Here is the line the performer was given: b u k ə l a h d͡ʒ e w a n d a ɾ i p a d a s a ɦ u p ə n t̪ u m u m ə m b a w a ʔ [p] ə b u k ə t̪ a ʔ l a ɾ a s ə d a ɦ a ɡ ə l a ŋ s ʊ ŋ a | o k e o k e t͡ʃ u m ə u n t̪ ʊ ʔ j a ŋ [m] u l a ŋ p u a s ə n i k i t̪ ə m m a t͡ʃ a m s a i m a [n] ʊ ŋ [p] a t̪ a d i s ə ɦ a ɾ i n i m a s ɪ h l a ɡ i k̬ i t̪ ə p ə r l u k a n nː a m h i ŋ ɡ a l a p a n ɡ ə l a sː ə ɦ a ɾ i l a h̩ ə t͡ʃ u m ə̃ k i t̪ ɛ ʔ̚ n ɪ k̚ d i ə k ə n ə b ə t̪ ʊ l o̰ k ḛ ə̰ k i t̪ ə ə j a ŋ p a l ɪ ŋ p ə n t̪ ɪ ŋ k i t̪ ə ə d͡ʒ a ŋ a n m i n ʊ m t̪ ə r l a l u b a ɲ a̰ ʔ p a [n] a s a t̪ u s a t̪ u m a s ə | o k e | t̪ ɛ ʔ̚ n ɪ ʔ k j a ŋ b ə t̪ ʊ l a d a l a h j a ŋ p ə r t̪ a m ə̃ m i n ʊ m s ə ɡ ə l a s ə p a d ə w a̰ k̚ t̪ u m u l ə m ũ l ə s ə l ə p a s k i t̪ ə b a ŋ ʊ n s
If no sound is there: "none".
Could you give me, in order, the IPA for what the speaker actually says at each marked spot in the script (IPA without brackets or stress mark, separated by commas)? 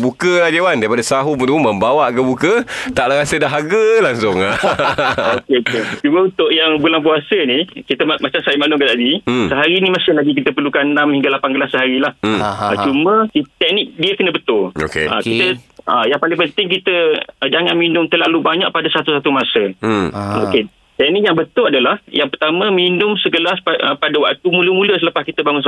k, b, n, k, d